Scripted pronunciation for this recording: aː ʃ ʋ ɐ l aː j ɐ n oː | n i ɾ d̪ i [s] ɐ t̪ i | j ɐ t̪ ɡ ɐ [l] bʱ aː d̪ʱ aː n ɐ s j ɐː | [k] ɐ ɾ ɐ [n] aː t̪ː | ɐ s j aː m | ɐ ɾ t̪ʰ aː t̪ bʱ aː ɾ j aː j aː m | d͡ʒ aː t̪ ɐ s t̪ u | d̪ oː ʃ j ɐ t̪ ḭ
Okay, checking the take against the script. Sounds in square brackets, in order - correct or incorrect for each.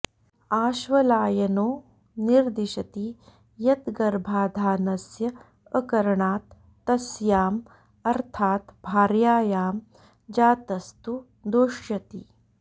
incorrect: ʃ, incorrect: ɾ, correct, incorrect: ɳ

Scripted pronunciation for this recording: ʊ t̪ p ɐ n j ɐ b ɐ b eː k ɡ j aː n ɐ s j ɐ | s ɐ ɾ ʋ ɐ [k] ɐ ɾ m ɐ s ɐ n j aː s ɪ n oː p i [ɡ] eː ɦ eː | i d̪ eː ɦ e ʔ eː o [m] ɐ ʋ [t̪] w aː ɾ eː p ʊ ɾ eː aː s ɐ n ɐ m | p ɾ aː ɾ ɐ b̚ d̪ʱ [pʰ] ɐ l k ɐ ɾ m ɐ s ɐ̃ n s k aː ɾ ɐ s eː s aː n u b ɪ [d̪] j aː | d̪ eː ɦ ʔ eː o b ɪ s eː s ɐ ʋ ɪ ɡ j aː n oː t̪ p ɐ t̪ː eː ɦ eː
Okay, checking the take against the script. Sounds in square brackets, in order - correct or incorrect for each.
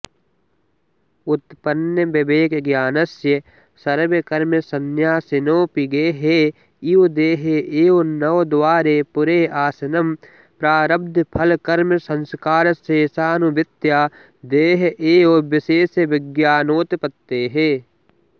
correct, correct, incorrect: n, incorrect: d̪, correct, incorrect: t̪

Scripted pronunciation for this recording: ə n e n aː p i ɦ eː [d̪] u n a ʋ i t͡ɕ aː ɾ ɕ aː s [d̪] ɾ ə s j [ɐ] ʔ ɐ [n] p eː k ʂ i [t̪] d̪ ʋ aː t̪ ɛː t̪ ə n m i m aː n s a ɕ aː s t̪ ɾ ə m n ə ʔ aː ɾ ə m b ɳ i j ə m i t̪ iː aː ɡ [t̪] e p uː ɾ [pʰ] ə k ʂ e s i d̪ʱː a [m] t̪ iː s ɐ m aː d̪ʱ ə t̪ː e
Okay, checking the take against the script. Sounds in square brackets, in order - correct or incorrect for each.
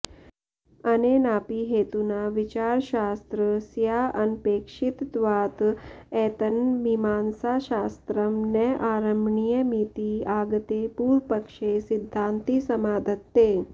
incorrect: t̪, incorrect: t̪, incorrect: a, correct, correct, correct, incorrect: p, incorrect: n

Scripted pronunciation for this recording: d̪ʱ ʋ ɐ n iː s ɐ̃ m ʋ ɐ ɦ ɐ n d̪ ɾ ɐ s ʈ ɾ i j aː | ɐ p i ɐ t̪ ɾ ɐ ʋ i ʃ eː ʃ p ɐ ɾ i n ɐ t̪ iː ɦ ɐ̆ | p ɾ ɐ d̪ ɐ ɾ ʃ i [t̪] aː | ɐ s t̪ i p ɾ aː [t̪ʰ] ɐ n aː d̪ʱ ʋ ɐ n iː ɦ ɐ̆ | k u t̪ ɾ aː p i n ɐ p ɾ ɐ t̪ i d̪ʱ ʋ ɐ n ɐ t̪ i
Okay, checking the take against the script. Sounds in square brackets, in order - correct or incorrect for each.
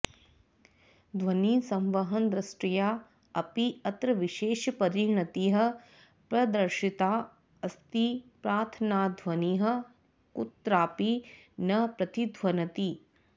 correct, correct

